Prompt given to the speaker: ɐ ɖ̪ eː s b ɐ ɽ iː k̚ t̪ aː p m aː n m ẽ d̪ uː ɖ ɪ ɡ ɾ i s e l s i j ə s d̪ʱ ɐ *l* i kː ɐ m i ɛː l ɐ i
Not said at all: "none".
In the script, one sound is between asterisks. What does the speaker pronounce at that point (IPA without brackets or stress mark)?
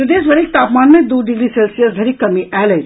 ɾ